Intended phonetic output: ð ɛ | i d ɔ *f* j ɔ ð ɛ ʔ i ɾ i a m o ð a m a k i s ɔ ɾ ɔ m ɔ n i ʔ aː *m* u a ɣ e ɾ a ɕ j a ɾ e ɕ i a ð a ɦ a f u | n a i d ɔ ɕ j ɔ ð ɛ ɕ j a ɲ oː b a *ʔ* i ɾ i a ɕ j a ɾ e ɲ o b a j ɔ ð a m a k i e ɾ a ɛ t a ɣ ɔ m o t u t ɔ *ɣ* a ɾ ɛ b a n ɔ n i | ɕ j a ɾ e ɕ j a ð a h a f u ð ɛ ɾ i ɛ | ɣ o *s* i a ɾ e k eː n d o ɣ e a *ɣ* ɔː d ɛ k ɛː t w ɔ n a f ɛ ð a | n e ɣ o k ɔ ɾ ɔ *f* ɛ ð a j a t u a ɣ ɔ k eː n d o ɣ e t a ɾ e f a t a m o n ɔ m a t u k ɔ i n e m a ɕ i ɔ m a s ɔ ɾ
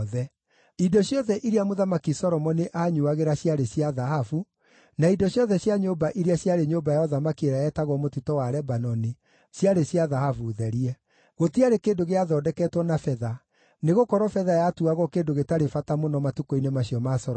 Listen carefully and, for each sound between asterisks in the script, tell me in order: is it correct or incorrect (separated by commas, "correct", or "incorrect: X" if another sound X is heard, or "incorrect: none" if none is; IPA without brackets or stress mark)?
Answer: incorrect: ɕ, incorrect: ɲ, correct, incorrect: w, incorrect: t, incorrect: ð, correct